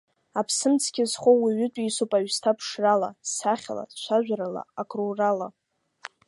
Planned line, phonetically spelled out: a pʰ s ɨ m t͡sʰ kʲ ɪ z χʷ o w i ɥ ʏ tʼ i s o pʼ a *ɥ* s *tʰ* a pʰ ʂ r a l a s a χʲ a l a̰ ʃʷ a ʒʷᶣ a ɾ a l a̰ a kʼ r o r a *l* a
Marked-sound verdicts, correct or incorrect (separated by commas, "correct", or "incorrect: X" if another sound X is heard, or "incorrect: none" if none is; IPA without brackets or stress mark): correct, correct, correct